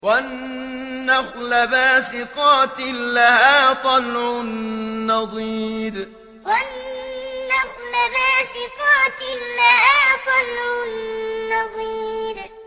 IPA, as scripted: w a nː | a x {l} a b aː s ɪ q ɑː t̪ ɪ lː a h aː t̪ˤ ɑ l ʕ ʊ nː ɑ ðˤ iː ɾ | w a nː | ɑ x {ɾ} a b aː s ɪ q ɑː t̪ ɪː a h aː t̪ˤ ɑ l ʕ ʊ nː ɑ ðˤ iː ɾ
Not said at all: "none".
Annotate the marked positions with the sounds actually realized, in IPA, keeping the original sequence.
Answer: l, l

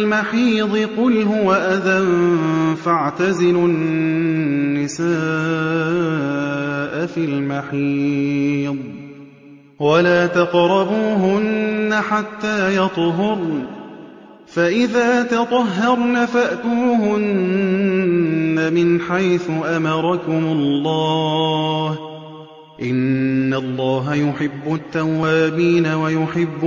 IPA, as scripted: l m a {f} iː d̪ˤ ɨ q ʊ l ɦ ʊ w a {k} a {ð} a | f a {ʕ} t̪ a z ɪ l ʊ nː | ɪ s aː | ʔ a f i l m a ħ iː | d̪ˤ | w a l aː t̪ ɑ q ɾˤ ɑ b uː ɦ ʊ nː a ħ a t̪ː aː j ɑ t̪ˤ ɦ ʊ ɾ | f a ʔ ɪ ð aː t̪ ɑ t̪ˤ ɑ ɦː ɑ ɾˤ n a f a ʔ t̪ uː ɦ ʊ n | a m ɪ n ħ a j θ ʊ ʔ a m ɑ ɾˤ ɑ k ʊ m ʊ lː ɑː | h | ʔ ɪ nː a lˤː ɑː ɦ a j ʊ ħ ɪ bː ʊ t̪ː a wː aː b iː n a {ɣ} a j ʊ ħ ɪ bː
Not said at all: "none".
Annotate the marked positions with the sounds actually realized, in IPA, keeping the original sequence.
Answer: ħ, ʔ, ð, ʕ, w

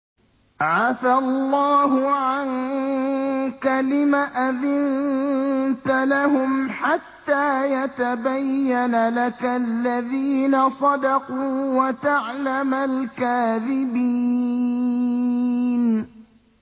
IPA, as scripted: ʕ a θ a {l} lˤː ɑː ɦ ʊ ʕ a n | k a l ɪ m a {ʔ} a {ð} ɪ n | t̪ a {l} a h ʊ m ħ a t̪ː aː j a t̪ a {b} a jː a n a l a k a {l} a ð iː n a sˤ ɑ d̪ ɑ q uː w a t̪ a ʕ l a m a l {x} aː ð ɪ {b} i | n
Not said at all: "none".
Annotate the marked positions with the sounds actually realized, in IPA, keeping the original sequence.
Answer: l, ʔ, ð, l, b, lː, k, b

